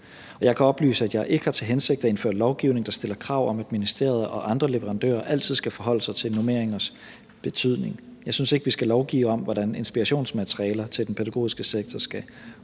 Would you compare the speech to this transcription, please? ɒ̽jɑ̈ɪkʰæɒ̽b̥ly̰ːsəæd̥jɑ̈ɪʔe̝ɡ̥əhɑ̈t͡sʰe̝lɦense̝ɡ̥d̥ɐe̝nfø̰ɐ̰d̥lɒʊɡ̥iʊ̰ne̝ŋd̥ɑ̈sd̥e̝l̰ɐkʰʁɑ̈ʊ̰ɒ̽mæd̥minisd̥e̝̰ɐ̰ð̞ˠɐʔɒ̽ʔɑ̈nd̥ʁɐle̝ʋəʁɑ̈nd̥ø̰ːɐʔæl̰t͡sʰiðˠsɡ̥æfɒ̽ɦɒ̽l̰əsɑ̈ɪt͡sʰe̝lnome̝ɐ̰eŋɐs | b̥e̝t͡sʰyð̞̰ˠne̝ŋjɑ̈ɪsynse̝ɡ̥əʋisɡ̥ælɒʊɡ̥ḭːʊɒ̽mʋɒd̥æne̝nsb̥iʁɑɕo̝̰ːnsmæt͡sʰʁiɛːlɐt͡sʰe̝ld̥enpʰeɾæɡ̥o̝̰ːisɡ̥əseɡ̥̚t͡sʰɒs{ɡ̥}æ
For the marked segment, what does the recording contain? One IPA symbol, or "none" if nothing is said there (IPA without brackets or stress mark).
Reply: ɡ̥